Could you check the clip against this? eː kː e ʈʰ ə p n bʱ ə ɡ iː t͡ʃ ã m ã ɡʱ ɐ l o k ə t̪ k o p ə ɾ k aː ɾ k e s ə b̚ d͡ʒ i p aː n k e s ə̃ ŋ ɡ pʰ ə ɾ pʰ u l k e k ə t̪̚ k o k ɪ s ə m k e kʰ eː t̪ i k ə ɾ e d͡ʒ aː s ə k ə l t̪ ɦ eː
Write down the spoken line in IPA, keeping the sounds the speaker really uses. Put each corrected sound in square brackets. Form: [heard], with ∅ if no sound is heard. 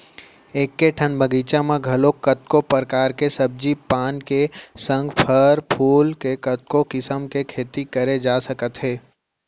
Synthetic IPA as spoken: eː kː e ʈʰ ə [∅] n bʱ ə ɡ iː t͡ʃ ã m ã ɡʱ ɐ l o k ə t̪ k o p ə ɾ k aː ɾ k e s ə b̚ d͡ʒ i p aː n k e s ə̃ ŋ ɡ pʰ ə ɾ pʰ [uː] l k e k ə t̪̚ k o k ɪ s ə m k e kʰ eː t̪ i k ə ɾ e d͡ʒ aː s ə k ə [∅] t̪ ɦ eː